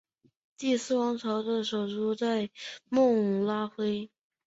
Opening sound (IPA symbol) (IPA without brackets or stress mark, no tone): t̪